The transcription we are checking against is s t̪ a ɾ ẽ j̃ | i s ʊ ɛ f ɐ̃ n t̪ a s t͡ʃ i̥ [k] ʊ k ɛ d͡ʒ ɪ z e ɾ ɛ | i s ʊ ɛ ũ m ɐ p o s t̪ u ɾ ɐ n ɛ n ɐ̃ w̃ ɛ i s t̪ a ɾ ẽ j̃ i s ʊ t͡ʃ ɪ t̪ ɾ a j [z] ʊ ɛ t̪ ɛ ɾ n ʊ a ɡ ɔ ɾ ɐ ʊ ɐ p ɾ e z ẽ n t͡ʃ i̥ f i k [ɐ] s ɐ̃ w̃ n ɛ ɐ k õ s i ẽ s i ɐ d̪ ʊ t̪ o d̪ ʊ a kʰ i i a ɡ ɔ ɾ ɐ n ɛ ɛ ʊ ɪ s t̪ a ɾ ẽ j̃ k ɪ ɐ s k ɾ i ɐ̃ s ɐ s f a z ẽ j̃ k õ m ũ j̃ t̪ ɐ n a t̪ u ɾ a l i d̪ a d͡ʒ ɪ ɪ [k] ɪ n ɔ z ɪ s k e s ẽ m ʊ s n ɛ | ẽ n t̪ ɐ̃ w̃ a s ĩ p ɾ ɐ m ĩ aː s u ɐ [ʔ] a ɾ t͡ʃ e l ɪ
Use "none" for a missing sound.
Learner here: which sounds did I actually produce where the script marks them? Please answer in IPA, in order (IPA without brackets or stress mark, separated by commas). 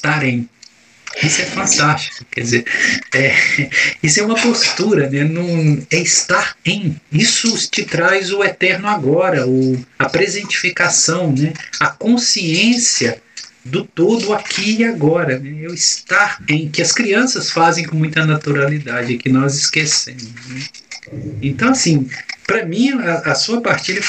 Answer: k, z, a, k, p